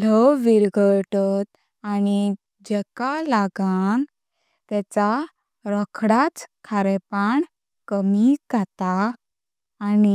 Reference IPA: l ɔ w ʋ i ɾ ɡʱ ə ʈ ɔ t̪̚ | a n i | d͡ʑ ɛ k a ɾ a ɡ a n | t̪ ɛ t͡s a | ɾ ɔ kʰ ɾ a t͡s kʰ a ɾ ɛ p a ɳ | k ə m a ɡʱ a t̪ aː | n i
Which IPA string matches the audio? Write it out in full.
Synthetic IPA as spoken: l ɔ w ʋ i ɾ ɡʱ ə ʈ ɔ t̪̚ | a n i | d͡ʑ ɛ k a l a ɡ a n | t̪ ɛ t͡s a | ɾ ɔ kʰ ɽ a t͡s kʰ a ɾ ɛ p a ɳ | k ə m i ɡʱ a t̪ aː | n i